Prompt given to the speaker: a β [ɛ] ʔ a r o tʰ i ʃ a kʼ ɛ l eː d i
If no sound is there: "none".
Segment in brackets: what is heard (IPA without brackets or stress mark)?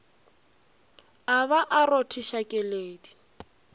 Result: a